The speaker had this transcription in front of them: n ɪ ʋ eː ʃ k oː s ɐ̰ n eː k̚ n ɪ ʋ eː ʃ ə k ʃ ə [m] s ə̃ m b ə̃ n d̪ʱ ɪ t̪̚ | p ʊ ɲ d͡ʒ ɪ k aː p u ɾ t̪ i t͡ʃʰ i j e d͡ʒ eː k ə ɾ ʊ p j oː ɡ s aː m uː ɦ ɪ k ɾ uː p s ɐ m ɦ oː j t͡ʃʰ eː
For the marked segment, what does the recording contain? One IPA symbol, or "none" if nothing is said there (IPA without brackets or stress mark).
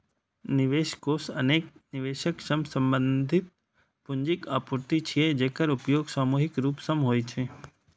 m